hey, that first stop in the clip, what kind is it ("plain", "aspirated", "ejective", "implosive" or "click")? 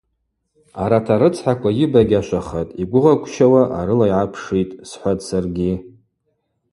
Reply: aspirated